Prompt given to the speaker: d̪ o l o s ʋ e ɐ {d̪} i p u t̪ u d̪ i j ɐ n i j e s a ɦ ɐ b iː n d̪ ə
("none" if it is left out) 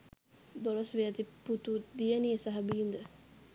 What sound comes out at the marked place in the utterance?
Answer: t̪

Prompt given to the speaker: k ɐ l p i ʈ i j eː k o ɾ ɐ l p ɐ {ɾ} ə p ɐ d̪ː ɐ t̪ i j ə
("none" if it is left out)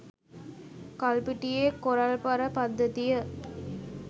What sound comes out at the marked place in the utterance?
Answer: ɾ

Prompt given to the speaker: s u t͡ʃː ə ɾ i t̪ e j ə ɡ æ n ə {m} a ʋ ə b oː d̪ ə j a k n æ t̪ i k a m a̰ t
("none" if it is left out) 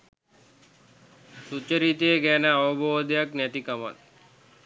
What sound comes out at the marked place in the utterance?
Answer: none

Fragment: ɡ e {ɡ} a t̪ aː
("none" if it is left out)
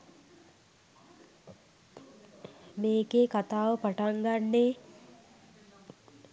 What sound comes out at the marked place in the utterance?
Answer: k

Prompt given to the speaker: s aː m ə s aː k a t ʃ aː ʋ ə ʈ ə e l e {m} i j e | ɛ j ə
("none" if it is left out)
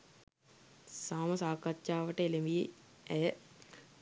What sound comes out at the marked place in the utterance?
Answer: m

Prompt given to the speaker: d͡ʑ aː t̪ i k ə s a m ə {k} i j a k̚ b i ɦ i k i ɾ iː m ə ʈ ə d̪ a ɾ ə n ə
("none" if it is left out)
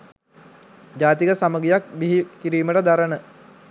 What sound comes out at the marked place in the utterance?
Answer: ɡ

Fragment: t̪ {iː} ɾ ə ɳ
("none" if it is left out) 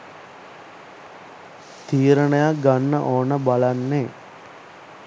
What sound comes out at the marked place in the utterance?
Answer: iː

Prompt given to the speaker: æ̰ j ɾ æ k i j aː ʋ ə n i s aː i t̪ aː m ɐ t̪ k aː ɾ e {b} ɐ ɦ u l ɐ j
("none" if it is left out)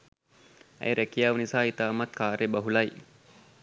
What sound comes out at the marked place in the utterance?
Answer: b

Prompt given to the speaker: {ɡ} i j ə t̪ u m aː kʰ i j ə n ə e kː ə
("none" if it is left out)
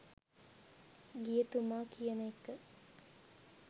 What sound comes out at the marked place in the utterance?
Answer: ɡ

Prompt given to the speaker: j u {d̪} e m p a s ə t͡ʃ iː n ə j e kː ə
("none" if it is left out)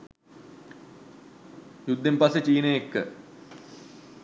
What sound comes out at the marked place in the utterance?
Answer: d̪ː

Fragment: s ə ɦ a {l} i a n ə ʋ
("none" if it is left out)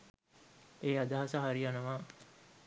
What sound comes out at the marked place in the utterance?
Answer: ɾ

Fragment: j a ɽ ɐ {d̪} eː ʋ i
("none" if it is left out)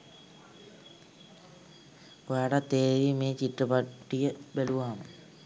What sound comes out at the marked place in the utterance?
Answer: t̪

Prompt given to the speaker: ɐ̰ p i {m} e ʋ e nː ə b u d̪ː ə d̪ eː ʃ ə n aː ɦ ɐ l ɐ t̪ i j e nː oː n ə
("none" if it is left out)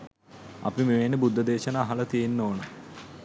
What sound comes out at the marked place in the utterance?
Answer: m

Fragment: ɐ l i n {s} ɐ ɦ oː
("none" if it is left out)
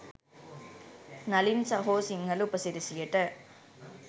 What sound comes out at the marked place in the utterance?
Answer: s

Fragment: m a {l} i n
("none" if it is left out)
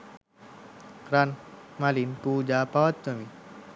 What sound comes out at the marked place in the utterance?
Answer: l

